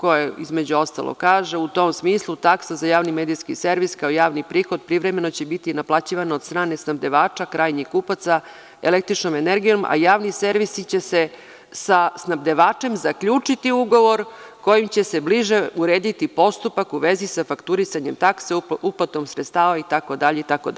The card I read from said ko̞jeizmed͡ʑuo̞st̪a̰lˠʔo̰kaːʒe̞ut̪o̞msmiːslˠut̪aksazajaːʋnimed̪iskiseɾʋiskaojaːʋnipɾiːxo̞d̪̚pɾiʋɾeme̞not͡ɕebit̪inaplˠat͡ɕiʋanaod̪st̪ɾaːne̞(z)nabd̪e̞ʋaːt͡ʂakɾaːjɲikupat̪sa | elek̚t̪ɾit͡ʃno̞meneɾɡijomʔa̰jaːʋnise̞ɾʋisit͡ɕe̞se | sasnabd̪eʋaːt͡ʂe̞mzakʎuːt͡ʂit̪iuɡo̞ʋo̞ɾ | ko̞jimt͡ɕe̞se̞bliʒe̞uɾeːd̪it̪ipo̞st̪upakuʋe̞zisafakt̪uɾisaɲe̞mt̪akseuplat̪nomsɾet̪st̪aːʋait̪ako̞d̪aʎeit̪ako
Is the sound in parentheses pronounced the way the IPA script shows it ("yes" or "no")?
no